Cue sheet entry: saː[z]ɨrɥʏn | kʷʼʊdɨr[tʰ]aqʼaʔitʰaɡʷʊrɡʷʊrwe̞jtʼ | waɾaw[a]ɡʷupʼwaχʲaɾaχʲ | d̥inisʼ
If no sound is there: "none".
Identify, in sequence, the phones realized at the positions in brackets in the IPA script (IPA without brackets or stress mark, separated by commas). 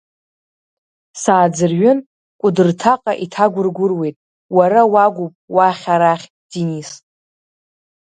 d͡z, tʰ, a